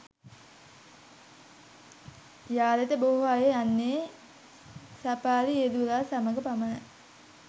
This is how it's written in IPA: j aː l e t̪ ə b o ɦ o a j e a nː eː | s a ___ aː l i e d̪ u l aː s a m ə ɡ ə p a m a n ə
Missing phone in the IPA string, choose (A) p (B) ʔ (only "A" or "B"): A